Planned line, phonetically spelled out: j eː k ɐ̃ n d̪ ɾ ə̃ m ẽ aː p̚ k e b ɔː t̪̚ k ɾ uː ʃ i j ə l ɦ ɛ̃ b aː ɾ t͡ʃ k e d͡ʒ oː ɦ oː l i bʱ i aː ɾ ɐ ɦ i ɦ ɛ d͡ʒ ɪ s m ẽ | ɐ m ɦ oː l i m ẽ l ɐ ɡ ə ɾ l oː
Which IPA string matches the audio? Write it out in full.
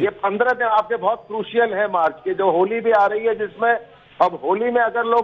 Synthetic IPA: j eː p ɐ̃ n d̪ ɾ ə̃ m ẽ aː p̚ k e b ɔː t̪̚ k ɾ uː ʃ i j ə l ɦ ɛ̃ m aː ɾ t͡ʃ k e d͡ʒ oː ɦ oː l i bʱ i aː ɾ ɐ ɦ i ɦ ɛ d͡ʒ ɪ s m ẽ | ɐ b ɦ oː l i m ẽ ɐ ɡ ə ɾ l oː